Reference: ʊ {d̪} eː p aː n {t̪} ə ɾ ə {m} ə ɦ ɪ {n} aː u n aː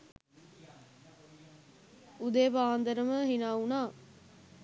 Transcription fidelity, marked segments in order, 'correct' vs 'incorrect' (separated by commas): correct, incorrect, correct, correct